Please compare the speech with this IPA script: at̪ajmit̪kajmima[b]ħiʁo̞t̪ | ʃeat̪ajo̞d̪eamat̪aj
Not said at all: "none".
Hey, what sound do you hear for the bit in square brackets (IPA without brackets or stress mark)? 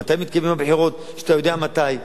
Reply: b